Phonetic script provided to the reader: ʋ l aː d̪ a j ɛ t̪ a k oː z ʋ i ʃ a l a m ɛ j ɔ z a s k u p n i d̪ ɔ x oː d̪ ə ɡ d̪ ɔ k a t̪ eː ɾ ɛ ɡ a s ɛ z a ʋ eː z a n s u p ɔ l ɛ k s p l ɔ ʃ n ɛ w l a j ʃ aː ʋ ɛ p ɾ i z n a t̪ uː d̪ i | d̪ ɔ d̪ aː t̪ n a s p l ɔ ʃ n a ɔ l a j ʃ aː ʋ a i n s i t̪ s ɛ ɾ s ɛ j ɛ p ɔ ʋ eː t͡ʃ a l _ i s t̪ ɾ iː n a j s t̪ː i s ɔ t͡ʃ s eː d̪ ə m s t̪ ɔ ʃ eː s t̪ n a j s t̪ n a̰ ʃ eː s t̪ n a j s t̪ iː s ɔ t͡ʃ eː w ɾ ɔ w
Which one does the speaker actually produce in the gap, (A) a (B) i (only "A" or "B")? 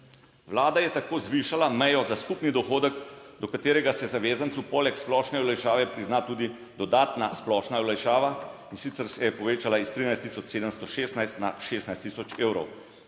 A